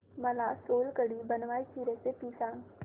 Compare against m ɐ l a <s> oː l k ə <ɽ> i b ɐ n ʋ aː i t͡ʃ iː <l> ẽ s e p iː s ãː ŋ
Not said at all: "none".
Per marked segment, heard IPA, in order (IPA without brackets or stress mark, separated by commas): s, ɽ, ɾ